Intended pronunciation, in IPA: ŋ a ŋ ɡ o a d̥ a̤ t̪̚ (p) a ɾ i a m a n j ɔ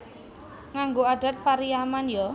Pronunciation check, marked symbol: correct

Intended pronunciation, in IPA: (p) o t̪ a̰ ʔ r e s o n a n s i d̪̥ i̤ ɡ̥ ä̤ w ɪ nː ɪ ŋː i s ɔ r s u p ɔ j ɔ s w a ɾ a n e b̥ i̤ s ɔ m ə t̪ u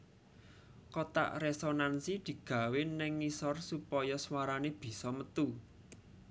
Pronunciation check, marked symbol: incorrect: k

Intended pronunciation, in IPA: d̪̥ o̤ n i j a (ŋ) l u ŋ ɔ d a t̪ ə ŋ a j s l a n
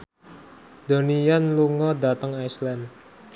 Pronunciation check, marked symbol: incorrect: n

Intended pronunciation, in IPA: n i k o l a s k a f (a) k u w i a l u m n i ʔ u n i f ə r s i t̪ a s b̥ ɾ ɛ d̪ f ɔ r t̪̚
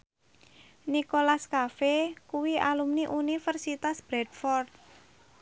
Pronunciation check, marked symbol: incorrect: e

